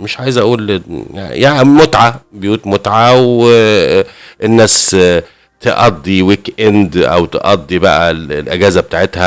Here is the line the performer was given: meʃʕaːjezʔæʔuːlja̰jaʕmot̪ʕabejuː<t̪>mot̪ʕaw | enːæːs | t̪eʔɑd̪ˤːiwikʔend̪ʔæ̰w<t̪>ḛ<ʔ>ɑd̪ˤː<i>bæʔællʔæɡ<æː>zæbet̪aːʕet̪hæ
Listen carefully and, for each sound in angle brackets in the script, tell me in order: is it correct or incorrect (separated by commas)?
correct, correct, correct, correct, correct